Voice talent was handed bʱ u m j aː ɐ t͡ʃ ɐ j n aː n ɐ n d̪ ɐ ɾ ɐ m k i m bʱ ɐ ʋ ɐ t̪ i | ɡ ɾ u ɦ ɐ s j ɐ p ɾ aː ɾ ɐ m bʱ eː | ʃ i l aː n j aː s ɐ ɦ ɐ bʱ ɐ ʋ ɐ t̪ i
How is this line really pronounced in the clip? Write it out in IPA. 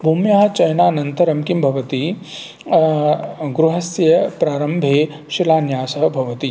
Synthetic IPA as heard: bʱ u m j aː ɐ t͡ʃ ɐ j n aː n ɐ n t̪ ɐ ɾ ɐ m k i m bʱ ɐ ʋ ɐ t̪ i | ɡ ɾ u ɦ ɐ s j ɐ p ɾ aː ɾ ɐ m bʱ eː | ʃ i l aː n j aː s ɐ ɦ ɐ bʱ ɐ ʋ ɐ t̪ i